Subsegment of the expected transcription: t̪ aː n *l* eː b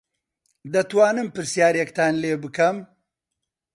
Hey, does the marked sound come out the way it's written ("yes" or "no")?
yes